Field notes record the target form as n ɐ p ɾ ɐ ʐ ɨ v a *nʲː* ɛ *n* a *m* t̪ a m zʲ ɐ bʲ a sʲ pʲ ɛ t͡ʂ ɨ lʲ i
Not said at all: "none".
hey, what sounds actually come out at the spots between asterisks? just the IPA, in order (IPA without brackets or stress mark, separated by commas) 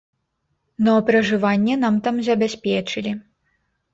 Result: nʲː, n, m